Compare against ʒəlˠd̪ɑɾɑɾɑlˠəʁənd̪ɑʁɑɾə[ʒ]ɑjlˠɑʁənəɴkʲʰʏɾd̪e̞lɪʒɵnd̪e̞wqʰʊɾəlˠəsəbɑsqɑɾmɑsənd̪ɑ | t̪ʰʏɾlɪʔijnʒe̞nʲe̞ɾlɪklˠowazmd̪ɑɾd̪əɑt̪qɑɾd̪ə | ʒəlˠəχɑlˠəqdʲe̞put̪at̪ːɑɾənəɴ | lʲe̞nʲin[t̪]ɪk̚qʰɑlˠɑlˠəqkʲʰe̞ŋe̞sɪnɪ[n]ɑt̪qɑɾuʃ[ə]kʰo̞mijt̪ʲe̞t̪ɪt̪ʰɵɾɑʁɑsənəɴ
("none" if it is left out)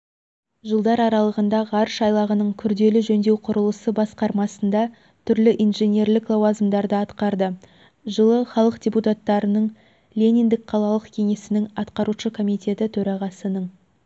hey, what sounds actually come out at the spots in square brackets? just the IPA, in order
ʃ, d̪, ŋ, ə

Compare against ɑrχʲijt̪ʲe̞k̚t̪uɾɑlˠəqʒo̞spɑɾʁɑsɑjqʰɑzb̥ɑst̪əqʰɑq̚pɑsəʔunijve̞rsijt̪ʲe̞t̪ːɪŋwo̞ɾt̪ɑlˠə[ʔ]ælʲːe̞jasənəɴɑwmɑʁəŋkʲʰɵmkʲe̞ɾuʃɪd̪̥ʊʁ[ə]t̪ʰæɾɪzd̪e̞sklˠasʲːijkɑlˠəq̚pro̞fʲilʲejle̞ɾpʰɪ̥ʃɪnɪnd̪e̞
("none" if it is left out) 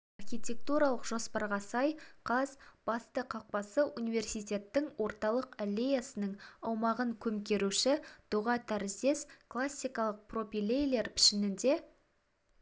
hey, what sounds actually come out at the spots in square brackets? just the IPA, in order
q, ɑ

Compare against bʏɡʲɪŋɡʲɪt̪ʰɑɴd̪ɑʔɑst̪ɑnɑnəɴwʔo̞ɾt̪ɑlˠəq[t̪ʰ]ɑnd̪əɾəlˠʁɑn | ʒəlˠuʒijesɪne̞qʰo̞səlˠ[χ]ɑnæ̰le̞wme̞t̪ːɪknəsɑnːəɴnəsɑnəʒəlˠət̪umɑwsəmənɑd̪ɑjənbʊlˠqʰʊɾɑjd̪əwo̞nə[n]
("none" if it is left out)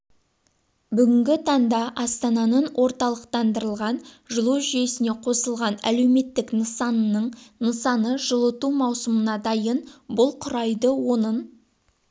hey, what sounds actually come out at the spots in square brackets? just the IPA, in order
t̪, ʁ, n

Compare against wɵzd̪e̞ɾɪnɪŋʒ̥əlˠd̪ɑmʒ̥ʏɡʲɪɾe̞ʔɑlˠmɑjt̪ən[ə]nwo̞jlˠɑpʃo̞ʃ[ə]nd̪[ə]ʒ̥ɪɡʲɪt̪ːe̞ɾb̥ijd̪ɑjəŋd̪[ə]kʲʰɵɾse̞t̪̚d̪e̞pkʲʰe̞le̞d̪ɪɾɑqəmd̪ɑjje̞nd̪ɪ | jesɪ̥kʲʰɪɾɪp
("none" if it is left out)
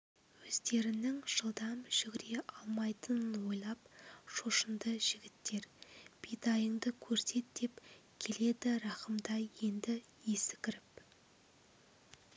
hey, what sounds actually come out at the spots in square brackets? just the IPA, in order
ə, ə, ə, ə

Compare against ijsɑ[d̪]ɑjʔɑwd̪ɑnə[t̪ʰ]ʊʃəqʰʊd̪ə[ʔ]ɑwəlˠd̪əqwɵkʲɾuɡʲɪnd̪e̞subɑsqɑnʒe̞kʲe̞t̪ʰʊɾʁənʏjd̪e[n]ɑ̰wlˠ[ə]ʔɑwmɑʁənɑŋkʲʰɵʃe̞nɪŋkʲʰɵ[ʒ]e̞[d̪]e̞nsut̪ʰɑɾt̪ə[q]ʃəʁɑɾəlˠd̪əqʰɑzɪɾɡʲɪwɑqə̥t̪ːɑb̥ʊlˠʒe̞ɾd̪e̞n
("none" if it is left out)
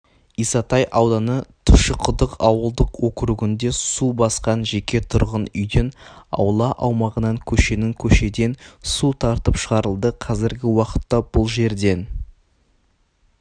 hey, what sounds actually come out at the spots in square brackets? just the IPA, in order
t̪, t̪ʰ, q, n, ɑ, ʃ, d̪, p

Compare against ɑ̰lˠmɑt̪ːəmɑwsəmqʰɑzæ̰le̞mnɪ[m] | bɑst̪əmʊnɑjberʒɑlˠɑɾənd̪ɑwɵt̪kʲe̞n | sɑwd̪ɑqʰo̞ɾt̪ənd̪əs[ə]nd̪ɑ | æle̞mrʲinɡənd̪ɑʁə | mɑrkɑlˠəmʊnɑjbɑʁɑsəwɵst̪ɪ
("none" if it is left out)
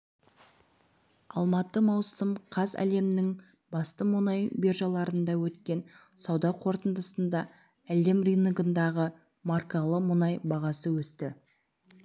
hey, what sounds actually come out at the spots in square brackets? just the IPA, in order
ŋ, ə

